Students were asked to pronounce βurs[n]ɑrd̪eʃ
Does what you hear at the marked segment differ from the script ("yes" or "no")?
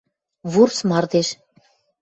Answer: yes